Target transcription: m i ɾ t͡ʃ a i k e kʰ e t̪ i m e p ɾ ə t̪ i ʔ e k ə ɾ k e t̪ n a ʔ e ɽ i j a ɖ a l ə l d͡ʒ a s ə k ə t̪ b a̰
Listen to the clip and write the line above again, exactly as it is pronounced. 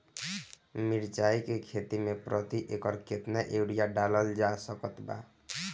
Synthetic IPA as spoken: m i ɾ t͡ʃ a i k e kʰ e t̪ i m e p ɾ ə t̪ i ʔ e k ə ɾ k e t̪ n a ʔ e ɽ i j a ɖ a l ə l d͡ʒ a s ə k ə t̪ b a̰